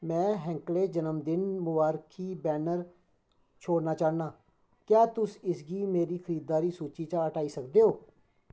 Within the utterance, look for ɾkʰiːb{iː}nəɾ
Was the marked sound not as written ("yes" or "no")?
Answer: yes